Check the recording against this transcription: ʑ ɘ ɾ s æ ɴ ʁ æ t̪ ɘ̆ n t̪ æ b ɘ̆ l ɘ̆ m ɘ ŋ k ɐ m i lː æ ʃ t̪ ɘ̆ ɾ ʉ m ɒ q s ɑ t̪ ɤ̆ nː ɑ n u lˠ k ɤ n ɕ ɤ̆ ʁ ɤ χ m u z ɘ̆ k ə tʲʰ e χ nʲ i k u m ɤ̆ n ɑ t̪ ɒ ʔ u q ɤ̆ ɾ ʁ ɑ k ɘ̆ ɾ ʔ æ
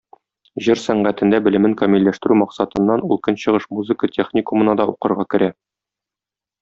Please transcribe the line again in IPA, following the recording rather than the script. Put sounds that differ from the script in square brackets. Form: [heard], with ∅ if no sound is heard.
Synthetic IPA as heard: ʑ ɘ ɾ s æ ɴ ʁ æ t̪ ɘ̆ n [d̪] æ b ɘ̆ l ɘ̆ m ɘ ŋ k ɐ m i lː æ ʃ t̪ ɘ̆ ɾ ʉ m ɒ q s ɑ t̪ ɤ̆ nː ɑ n u lˠ k ɤ n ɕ ɤ̆ ʁ ɤ [ʃ] m u z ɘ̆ k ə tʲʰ e χ nʲ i k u m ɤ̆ n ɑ [d̪] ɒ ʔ u q ɤ̆ ɾ ʁ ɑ k ɘ̆ ɾ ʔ æ

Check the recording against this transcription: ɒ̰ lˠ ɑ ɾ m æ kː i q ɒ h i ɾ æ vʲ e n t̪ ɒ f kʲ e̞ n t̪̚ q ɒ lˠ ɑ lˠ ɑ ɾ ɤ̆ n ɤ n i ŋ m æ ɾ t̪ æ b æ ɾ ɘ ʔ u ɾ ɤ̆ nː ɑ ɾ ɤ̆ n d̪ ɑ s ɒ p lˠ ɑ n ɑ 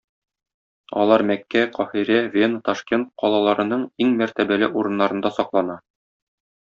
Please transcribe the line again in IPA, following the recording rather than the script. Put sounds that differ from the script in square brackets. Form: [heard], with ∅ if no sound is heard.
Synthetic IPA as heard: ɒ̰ lˠ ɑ ɾ m æ kː [æ] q ɒ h i ɾ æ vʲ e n t̪ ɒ [ʃ] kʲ e̞ n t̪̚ q ɒ lˠ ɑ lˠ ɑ ɾ ɤ̆ n ɤ [ɴ] i ŋ m æ ɾ t̪ æ b æ [l] ɘ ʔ u ɾ ɤ̆ nː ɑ ɾ ɤ̆ n d̪ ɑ s ɒ [q] lˠ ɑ n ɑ

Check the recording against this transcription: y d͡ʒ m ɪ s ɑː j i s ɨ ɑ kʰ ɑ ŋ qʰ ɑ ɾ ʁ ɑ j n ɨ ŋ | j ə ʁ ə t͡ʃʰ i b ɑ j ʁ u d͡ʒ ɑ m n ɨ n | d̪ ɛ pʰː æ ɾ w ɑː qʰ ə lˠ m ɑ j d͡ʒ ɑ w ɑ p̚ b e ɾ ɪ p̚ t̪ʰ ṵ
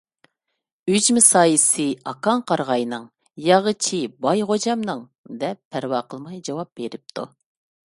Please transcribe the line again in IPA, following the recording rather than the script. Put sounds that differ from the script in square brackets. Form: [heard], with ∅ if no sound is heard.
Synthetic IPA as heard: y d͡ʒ m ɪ s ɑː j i s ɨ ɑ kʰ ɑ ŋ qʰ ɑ ɾ ʁ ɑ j n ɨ ŋ | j [ɑ] ʁ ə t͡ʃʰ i b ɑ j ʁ [o] d͡ʒ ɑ m n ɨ [ŋ] | d̪ ɛ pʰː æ ɾ w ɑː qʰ ə lˠ m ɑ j d͡ʒ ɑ w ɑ p̚ b e ɾ ɪ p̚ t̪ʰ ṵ

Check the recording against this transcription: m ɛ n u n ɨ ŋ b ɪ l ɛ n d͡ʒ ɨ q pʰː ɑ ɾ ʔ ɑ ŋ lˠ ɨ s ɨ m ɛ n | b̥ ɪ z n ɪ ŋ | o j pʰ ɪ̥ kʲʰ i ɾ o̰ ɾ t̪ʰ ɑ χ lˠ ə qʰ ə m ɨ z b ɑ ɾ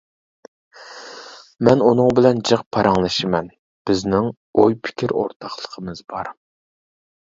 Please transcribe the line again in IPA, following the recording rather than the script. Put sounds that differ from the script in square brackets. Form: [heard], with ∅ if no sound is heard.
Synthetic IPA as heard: m ɛ n u n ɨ ŋ b ɪ l ɛ n d͡ʒ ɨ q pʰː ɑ ɾ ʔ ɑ ŋ lˠ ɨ [ʃ] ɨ m ɛ n | b̥ ɪ z n ɪ ŋ | o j pʰ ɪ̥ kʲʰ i ɾ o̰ ɾ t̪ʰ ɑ χ lˠ ə qʰ ə m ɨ z b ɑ ɾ

